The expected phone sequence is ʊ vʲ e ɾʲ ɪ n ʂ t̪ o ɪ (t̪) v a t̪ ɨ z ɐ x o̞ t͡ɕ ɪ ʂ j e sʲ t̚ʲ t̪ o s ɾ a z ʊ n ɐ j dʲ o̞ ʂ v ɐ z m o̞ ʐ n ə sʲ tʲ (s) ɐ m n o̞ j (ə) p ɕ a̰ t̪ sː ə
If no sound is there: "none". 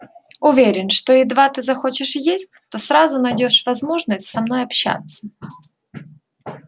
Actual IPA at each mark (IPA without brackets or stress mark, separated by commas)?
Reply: d̪, s, ɐ